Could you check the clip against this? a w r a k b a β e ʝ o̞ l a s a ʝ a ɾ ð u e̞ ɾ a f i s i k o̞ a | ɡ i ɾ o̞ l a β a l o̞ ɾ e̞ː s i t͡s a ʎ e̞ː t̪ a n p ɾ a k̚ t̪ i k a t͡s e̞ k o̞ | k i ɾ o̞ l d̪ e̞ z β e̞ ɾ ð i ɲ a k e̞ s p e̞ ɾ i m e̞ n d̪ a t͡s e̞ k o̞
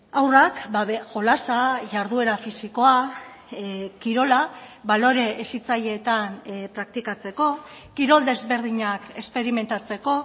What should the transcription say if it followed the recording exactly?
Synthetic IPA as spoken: a w r a k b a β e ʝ o̞ l a s a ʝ a ɾ ð u e̞ ɾ a f i s i k o̞ a | k i ɾ o̞ l a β a l o̞ ɾ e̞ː s i t͡s a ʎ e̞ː t̪ a n p ɾ a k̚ t̪ i k a t͡s e̞ k o̞ | k i ɾ o̞ l d̪ e̞ z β e̞ ɾ ð i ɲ a k e̞ s p e̞ ɾ i m e̞ n t̪ a t͡s e̞ k o̞

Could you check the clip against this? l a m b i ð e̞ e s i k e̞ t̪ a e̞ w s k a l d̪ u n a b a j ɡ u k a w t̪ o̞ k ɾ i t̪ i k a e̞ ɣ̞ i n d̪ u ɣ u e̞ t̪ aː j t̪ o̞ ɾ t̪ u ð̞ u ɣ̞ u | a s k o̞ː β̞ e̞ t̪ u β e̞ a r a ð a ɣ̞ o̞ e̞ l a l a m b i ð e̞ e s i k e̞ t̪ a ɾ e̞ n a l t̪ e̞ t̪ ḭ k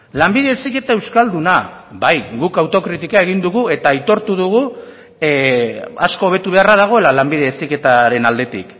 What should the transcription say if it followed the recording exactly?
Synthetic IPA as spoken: l a m b i ð e̞ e s i k e̞ t̪ a e̞ w s k a l d̪ u n a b a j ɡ u k a w t̪ o̞ k ɾ i t̪ i k a e̞ ɣ̞ i n d̪ u ɣ u e̞ t̪ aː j t̪ o̞ ɾ t̪ u ð̞ u ɣ̞ u | a s k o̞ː β̞ e̞ t̪ u β e̞ a r a ð a ɣ̞ o̞ e̞ l a l a m b i ð e̞ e s i k e̞ t̪ a ɾ e̞ n a l d̪ e̞ t̪ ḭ k

